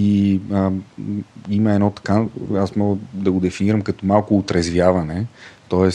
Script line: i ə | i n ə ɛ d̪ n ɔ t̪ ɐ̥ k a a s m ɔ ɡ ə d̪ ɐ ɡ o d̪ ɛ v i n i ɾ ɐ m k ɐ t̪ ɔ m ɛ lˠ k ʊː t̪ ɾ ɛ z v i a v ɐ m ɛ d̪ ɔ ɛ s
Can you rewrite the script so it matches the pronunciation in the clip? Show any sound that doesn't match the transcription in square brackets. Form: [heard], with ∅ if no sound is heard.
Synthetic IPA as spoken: i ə | i [m] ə ɛ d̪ n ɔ t̪ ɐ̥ k a a s m ɔ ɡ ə d̪ ɐ ɡ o d̪ ɛ [f] i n i ɾ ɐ m k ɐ t̪ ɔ m [a] lˠ k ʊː t̪ ɾ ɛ z v [j] a v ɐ [n] ɛ [t̪] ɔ ɛ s